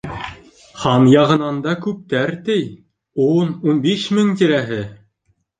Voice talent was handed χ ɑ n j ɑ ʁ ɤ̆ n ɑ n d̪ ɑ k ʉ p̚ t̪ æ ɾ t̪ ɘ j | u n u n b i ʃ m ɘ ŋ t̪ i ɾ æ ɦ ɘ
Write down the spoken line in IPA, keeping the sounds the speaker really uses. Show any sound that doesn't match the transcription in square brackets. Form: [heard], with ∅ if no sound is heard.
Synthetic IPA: χ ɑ n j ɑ ʁ ɤ̆ n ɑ n d̪ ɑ k ʉ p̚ t̪ æ ɾ t̪ ɘ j | u n u n b i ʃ m ɘ ŋ t̪ i ɾ æ ɦ ɘ